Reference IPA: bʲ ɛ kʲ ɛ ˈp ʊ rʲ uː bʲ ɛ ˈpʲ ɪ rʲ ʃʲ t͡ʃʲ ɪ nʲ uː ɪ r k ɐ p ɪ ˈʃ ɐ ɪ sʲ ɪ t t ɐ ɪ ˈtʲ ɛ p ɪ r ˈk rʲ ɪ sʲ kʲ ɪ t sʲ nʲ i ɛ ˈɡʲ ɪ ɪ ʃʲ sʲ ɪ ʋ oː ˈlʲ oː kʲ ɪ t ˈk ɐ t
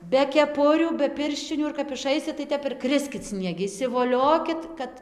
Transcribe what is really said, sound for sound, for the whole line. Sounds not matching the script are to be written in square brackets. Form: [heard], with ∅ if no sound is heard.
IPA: bʲ ɛ kʲ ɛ ˈp ʊ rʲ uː bʲ ɛ ˈpʲ ɪ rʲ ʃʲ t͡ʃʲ ɪ nʲ uː ɪ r k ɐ p ɪ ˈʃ ɐ ɪ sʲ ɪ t t ɐ ɪ ˈtʲ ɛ p ɪ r ˈk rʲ ɪ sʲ kʲ ɪ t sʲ nʲ i ɛ ˈɡʲ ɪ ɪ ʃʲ sʲ ɪ ʋ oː ˈlʲ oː kʲ ɪ t ˈk ɐ t